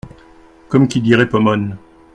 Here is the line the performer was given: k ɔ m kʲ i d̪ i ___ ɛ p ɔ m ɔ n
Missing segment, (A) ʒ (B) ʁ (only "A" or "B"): B